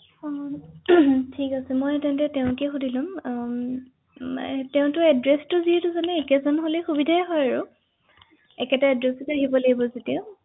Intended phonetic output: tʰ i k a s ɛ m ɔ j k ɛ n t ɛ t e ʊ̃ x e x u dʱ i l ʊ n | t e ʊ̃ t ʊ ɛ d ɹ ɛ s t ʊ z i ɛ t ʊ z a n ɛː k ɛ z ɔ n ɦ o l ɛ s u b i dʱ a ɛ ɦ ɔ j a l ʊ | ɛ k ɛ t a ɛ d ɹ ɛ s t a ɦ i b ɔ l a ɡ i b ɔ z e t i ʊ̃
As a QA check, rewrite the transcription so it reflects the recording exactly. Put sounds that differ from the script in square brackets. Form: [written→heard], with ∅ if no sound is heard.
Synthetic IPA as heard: tʰ i k a s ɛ m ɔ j [k→t] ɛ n t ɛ t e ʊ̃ [x→k] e x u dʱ i l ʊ [n→m] | t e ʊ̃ t ʊ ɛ d ɹ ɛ s t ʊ z i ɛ t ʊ z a n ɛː k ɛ z ɔ n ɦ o l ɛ [s→x] u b i dʱ a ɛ ɦ ɔ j a [l→ɹ] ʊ | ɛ k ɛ t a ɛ d ɹ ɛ s t a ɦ i b ɔ l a ɡ i b ɔ z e t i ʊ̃

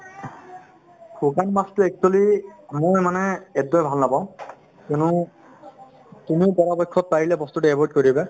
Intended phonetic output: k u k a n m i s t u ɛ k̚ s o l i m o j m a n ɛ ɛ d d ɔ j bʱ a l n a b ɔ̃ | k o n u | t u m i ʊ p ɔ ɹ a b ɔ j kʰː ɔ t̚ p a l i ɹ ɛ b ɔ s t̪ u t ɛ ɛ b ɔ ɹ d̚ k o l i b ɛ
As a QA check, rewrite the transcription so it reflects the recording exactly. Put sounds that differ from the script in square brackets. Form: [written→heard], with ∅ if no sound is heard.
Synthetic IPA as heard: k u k a n m [i→a] s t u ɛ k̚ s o l i m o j m a n ɛ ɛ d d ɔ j bʱ a l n a b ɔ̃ | k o n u | t u m i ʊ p ɔ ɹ a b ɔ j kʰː ɔ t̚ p a [l→ɹ] i [ɹ→l] ɛ b ɔ s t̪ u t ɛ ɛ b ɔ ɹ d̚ k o [l→ɹ] i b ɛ

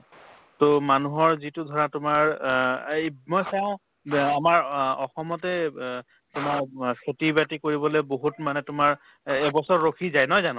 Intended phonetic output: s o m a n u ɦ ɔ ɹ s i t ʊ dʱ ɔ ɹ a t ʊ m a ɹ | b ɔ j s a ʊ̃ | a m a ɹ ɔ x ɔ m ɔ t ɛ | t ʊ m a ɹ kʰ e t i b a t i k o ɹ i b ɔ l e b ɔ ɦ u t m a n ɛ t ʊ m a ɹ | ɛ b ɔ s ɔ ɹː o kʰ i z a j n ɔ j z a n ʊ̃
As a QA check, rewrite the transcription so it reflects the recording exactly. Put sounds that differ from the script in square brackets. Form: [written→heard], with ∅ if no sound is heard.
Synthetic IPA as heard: [s→t] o m a n u ɦ ɔ ɹ [s→z] i t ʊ dʱ ɔ ɹ a t ʊ m a ɹ | [b→m] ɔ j s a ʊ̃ | a m a ɹ ɔ x ɔ m ɔ t ɛ | t ʊ m a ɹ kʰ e t i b a t i k o ɹ i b ɔ l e b [ɔ→o] ɦ u t m a n ɛ t ʊ m a ɹ | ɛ b ɔ s ɔ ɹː o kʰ i z a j n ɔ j z a n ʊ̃

